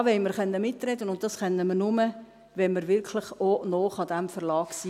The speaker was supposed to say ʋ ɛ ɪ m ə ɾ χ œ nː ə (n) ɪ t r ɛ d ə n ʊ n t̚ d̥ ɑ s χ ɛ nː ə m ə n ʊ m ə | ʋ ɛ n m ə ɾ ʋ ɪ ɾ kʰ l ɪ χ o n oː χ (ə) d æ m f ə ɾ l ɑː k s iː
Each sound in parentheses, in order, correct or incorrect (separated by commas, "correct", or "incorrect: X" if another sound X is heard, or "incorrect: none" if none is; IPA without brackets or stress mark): incorrect: m, incorrect: ɑ